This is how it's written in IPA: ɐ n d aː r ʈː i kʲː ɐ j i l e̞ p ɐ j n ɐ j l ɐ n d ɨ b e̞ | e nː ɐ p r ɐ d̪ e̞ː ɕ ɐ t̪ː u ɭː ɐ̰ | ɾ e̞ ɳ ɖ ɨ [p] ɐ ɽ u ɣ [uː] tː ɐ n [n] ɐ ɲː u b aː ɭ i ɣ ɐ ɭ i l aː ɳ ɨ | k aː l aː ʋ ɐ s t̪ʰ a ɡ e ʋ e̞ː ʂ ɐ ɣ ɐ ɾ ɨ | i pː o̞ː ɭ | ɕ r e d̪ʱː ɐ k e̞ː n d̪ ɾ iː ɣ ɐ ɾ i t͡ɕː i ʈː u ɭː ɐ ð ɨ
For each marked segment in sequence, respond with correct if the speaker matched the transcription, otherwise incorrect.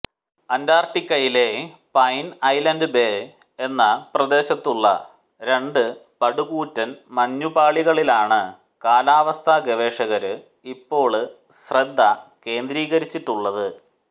correct, correct, incorrect: m

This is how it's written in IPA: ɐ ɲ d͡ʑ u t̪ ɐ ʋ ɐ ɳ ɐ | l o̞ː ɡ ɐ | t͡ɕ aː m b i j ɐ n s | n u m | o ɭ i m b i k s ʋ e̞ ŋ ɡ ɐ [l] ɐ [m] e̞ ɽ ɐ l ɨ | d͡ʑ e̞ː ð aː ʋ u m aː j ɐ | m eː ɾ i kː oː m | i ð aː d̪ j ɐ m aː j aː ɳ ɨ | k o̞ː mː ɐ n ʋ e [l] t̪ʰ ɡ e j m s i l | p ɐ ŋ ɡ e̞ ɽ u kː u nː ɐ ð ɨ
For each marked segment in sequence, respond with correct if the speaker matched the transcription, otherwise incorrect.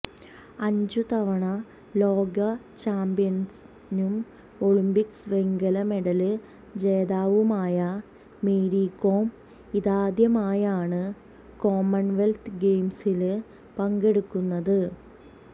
correct, correct, correct

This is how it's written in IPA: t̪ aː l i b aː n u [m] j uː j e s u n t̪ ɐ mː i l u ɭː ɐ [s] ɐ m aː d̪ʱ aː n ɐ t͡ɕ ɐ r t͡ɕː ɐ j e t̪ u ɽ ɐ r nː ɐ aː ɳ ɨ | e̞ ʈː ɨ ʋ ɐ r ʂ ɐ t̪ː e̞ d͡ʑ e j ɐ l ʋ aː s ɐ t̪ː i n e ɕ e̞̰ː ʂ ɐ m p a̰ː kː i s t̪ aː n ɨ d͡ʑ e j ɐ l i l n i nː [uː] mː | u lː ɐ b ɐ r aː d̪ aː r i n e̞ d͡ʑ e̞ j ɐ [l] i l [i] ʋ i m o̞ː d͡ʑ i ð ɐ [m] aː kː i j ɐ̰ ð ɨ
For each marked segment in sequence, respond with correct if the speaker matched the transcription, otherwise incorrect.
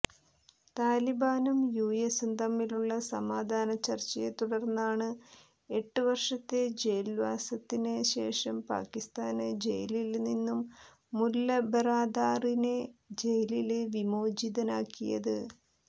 correct, correct, incorrect: u, correct, incorrect: e, incorrect: n

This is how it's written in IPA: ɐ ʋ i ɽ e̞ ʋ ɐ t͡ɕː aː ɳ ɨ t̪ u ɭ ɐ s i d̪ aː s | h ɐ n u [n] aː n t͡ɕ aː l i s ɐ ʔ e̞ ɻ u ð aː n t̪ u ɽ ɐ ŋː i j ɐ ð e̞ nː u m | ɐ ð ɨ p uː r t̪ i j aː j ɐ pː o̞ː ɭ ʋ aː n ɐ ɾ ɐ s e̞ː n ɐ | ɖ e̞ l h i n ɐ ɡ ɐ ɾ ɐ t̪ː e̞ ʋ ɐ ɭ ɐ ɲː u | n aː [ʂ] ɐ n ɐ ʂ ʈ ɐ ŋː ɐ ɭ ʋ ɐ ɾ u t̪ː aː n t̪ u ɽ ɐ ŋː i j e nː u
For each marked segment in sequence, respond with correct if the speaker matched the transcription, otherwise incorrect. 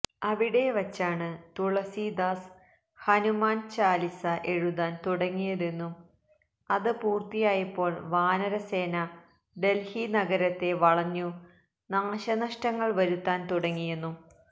incorrect: m, incorrect: ɕ

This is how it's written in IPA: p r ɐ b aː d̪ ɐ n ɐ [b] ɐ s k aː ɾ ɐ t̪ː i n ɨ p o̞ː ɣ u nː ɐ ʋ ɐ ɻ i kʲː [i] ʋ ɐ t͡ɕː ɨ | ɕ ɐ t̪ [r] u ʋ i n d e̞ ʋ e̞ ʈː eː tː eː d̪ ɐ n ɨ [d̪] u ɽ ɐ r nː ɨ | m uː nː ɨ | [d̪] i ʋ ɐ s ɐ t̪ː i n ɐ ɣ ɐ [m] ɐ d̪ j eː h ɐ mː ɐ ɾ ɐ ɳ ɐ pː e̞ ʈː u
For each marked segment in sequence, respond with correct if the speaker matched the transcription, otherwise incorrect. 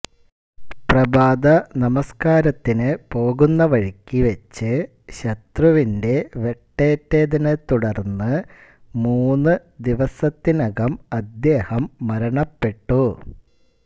incorrect: m, correct, correct, incorrect: t̪, correct, correct

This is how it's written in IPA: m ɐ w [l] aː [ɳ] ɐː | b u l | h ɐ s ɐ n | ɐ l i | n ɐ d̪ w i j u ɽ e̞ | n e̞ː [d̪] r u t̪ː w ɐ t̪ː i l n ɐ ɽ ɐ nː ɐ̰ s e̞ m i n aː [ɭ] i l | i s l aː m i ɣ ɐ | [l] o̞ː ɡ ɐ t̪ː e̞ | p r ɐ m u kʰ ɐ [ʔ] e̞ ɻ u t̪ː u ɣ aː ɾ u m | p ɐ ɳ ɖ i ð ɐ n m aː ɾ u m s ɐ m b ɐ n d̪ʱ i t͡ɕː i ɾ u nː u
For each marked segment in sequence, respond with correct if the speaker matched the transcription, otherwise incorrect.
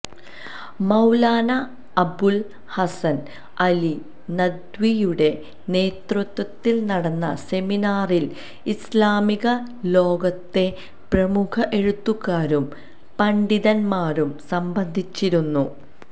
correct, incorrect: n, incorrect: t̪, incorrect: r, correct, correct

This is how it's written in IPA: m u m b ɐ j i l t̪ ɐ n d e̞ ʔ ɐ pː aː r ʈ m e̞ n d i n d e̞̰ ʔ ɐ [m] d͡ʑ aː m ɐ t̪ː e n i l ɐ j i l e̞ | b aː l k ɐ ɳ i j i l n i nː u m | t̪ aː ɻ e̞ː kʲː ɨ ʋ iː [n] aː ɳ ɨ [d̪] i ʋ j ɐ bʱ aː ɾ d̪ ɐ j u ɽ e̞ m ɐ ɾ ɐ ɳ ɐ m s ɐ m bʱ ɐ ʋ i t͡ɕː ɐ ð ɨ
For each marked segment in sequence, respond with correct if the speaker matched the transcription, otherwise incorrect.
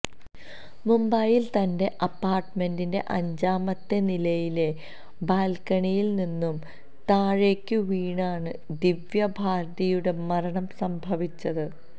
incorrect: ɲ, incorrect: ɳ, correct

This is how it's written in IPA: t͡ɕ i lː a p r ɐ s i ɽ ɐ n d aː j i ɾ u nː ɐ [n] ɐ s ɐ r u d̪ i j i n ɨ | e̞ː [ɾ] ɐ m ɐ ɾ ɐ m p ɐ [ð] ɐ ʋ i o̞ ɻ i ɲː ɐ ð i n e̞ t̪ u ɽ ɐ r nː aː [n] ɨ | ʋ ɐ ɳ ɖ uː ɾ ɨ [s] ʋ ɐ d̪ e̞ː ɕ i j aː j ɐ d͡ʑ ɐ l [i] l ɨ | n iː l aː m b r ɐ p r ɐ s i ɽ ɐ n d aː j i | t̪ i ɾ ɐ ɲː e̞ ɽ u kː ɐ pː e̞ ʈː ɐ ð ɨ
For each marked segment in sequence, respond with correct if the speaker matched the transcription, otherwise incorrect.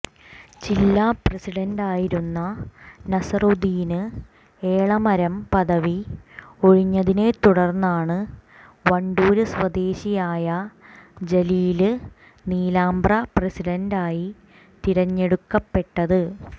correct, incorrect: ɭ, correct, incorrect: ɳ, correct, incorrect: iː

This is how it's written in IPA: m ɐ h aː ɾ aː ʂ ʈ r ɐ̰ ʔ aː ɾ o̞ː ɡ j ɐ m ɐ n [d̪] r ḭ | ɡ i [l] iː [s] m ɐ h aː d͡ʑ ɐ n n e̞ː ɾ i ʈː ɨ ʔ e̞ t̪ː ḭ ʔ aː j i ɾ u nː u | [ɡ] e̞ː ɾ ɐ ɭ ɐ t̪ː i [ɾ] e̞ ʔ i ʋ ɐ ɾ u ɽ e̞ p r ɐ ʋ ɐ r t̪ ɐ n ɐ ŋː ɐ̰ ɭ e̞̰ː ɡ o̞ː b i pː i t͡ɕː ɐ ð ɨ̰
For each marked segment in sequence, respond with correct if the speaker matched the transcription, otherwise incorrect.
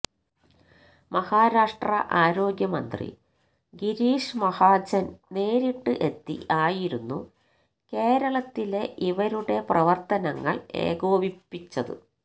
correct, incorrect: ɾ, incorrect: ʂ, incorrect: k, incorrect: l

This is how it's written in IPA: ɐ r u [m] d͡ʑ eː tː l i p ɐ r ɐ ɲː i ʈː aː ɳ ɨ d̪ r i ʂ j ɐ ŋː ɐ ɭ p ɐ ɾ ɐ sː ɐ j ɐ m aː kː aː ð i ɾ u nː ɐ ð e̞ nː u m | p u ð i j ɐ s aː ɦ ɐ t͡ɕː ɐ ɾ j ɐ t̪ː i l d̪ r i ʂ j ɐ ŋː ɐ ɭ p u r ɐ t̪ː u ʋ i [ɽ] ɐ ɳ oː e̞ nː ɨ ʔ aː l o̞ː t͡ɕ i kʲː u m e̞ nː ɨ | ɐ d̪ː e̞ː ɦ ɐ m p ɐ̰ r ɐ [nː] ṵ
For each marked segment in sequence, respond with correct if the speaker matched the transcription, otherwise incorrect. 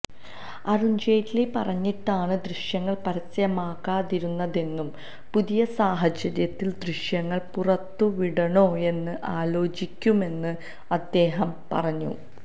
incorrect: ɲ, correct, incorrect: ɲː

